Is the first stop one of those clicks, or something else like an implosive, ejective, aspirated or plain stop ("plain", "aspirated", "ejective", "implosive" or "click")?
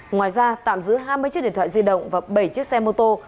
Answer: plain